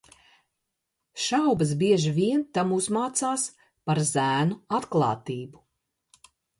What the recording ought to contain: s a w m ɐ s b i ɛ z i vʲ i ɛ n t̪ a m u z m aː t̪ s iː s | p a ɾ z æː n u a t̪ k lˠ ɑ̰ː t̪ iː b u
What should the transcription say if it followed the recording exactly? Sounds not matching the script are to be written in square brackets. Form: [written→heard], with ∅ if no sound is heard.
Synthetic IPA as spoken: [s→ʃ] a w [m→b] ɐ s b i ɛ [z→ʒ] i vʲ i ɛ n t̪ a m u z m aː t̪ s [iː→aː] s | p a ɾ z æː n u a t̪ k lˠ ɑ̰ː t̪ iː b u